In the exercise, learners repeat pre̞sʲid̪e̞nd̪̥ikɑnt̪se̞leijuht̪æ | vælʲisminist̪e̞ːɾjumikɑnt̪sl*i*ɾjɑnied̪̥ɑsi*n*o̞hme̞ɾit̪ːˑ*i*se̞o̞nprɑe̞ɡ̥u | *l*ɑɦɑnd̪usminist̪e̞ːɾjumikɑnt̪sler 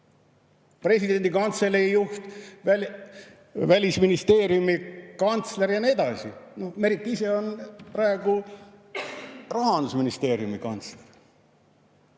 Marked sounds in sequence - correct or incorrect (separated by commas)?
incorrect, correct, correct, incorrect